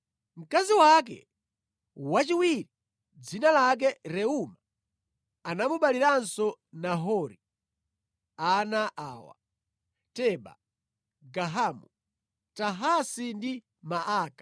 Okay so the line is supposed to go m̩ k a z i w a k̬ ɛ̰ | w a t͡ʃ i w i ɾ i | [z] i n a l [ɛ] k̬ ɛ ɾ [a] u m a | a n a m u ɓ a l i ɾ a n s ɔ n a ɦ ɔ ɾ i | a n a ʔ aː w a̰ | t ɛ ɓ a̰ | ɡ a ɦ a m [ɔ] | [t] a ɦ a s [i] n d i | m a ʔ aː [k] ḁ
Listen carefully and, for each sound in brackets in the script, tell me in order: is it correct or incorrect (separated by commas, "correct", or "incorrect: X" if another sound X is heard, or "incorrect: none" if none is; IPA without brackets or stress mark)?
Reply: incorrect: d͡z, incorrect: a, incorrect: ɛ, incorrect: u, correct, correct, correct